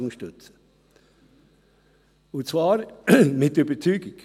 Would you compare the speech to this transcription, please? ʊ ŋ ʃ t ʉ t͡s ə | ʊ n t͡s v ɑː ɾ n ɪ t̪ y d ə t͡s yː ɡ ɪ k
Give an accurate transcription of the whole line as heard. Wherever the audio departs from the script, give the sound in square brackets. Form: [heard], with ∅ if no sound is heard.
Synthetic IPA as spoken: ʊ ŋ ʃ t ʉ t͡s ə | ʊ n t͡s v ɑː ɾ [m] ɪ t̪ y [b] ə t͡s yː ɡ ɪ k